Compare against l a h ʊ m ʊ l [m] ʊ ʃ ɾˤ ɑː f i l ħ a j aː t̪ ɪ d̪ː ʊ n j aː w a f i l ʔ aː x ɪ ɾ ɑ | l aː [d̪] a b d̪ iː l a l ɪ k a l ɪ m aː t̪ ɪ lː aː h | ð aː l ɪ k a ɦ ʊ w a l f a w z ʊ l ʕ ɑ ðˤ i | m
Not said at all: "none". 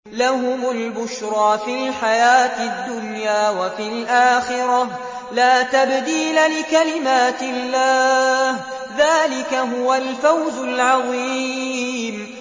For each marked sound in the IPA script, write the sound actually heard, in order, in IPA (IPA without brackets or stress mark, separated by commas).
b, t̪